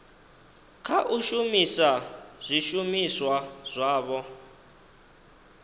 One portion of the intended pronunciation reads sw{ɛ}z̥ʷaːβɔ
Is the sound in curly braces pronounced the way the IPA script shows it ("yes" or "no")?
no